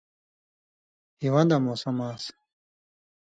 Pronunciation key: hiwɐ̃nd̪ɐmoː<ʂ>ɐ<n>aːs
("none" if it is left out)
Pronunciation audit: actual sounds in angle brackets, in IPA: s, m

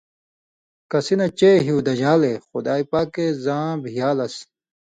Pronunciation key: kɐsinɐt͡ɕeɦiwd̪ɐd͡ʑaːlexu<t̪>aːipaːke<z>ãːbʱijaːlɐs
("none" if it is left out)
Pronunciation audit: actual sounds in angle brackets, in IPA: d̪, z

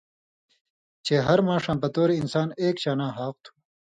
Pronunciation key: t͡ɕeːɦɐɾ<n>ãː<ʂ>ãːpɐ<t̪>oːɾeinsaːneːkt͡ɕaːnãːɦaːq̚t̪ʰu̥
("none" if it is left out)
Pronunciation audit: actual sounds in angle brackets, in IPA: m, ʂ, t̪

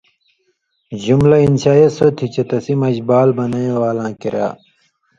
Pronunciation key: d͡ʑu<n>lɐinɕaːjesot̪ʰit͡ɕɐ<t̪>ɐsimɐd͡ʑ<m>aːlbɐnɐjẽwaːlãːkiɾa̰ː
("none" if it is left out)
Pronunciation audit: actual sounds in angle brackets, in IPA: m, t̪, b

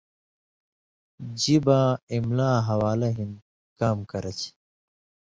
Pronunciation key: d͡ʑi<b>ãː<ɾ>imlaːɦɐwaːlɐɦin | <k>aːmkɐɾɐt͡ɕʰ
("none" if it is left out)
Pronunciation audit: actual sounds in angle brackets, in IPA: b, none, k

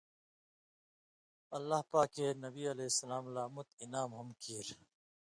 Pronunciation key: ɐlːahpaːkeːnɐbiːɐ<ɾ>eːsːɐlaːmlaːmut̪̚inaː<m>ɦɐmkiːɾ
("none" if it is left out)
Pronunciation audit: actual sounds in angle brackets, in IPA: l, m

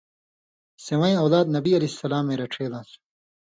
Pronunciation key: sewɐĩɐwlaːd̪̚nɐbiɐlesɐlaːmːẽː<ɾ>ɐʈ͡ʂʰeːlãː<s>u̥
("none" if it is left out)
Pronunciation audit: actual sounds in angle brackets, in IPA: ɾ, s

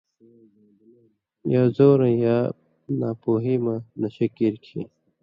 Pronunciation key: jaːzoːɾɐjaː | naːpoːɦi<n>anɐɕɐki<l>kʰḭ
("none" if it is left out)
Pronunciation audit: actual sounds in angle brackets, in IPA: m, ɾ

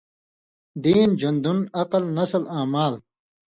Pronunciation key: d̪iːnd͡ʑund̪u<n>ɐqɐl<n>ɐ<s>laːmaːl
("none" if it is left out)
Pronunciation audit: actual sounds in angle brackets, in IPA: n, n, s

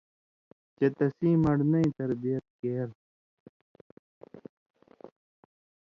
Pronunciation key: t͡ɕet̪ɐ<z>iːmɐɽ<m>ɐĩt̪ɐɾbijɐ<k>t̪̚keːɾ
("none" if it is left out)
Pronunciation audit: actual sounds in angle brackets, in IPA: s, n, none

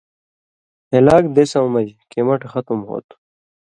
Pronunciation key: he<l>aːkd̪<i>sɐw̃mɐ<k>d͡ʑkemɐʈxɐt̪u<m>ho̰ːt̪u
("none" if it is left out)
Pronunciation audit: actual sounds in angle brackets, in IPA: l, e, none, m

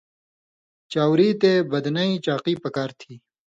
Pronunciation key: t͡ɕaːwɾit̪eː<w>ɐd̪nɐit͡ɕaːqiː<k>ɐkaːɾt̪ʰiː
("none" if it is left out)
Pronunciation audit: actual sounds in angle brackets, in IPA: b, p

